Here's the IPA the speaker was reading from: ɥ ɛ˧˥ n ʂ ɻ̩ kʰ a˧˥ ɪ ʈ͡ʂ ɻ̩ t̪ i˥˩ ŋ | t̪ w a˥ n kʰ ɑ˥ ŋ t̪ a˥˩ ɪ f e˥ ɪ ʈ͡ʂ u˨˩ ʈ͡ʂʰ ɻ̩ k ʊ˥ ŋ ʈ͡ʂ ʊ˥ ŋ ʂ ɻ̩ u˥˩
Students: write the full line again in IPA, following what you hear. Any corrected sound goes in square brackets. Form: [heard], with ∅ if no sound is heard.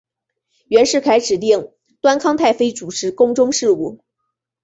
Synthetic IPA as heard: ɥ ɛ˧˥ n ʂ ɻ̩ kʰ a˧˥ ɪ ʈ͡ʂ ɻ̩ t̪ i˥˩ ŋ | t̪ w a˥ n kʰ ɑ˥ ŋ [t̪ʰ] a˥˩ ɪ f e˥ ɪ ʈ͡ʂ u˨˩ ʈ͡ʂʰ ɻ̩ k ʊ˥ ŋ ʈ͡ʂ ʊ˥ ŋ ʂ ɻ̩ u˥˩